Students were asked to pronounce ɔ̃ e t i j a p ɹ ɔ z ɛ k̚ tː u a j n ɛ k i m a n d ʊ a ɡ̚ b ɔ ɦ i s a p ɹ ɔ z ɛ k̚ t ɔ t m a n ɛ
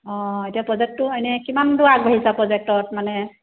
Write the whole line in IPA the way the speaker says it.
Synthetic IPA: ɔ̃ e t i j a p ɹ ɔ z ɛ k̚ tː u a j n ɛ k i m a n d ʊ a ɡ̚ b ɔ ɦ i s a p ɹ ɔ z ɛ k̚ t ɔ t m a n ɛ